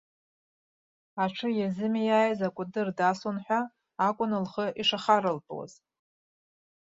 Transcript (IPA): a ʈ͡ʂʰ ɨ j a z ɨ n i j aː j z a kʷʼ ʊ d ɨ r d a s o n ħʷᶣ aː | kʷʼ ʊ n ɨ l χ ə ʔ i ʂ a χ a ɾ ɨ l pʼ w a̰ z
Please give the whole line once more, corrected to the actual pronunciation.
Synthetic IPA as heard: a ʈ͡ʂʰ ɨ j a z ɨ m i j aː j z a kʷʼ ʊ d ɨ r d a s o n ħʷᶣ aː | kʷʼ ʊ n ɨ l χ ə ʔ i ʂ a χ a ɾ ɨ l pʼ w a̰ z